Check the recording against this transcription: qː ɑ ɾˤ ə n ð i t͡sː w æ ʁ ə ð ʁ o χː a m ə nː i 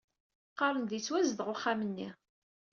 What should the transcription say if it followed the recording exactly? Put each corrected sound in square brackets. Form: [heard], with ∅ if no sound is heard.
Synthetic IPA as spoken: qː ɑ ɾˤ ə n ð i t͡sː w æ [z] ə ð ʁ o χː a m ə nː i